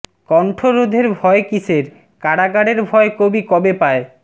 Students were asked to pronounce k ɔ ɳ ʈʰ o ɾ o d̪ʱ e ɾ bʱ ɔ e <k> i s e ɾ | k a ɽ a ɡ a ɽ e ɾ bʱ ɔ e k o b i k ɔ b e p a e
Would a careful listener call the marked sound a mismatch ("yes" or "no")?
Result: no